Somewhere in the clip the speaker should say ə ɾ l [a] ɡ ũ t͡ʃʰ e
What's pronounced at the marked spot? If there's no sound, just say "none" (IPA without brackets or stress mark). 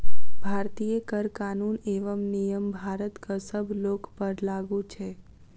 a